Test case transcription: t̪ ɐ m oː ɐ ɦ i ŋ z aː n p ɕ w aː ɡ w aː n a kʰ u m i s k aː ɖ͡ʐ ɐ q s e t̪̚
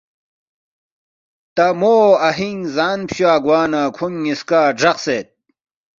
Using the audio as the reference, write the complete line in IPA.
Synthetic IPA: t̪ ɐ m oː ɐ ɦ i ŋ z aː n p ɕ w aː ɡ w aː n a kʰ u ŋ i s k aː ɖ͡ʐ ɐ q s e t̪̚